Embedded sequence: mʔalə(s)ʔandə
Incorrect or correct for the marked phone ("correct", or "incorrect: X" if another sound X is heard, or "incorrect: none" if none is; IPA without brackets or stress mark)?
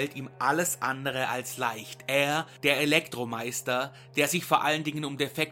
correct